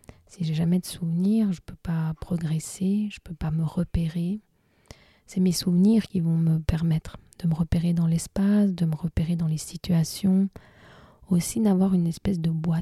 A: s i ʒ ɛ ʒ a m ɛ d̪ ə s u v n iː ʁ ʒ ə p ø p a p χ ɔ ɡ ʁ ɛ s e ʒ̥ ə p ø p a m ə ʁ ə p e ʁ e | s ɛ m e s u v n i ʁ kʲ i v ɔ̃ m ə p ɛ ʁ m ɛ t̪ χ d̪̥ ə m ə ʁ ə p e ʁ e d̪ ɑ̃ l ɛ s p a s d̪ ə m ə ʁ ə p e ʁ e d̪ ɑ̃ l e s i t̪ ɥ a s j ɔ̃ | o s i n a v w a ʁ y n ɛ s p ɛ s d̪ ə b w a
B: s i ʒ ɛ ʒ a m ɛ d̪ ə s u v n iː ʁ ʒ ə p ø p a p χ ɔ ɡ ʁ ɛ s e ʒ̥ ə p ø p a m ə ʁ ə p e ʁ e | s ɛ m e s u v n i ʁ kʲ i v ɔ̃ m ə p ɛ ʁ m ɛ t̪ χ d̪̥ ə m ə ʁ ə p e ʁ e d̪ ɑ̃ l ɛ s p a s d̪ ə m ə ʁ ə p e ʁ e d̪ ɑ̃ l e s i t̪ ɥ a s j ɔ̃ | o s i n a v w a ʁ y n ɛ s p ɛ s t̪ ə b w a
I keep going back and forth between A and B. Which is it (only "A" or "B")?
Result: A